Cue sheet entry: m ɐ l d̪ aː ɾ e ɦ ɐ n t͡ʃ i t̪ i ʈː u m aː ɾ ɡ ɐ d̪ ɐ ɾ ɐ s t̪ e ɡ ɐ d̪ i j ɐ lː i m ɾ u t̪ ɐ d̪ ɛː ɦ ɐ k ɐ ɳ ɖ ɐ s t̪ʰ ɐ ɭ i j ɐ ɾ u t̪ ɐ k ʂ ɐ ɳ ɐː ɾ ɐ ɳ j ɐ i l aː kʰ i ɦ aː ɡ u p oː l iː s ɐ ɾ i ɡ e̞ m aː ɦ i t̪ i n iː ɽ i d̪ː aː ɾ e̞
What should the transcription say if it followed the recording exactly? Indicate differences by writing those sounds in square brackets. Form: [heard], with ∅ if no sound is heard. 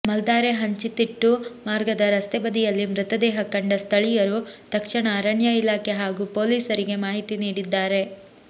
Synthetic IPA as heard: m ɐ l d̪ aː ɾ e ɦ ɐ [ɲ] t͡ʃ i t̪ i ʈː u m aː ɾ ɡ ɐ d̪ ɐ ɾ ɐ s t̪ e [b] ɐ d̪ i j ɐ lː i m ɾ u t̪ ɐ d̪ ɛː ɦ ɐ k ɐ ɳ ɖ ɐ s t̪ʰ ɐ ɭ i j ɐ ɾ u t̪ ɐ k ʂ ɐ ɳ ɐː ɾ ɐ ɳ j ɐ i l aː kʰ [e] ɦ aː ɡ u p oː l iː s ɐ ɾ i ɡ e̞ m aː ɦ i t̪ i n iː ɽ i d̪ː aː ɾ e̞